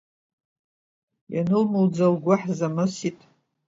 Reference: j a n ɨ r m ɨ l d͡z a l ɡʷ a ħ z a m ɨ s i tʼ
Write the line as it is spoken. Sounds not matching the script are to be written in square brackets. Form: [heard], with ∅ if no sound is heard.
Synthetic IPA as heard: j a n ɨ [l] m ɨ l d͡z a l ɡʷ a ħ z a m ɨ s i tʼ